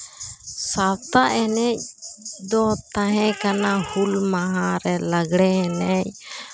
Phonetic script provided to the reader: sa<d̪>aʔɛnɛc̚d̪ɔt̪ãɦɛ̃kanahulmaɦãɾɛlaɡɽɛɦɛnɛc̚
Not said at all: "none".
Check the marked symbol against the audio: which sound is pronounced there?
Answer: t̪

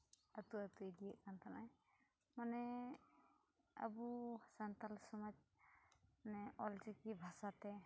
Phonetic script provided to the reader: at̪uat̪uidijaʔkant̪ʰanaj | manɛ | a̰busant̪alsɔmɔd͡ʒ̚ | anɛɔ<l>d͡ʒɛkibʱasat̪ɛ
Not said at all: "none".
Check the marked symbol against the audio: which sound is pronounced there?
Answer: l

